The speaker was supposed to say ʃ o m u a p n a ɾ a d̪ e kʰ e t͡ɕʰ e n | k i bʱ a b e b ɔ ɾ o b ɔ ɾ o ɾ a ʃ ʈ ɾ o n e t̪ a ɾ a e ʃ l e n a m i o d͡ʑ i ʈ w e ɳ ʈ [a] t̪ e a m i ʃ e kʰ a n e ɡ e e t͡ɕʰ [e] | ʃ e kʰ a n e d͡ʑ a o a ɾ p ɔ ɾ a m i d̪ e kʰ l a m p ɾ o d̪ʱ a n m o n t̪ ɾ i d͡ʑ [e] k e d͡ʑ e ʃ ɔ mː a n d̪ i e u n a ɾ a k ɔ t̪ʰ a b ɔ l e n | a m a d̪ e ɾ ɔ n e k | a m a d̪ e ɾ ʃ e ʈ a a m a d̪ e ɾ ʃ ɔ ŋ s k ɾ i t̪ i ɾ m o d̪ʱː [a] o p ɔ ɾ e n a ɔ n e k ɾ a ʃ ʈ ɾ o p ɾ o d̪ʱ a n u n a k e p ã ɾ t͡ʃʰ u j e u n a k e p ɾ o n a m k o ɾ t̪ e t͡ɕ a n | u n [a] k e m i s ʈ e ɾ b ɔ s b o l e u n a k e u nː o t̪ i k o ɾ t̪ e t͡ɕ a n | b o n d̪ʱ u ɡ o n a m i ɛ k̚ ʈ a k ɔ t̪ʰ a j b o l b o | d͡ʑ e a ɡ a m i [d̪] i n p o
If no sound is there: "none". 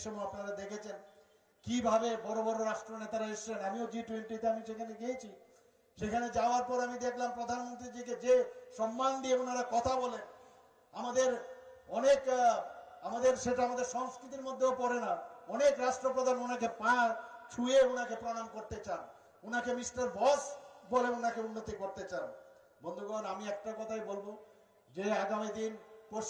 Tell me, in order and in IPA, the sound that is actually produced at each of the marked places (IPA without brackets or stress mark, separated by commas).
i, i, i, e, a, d̪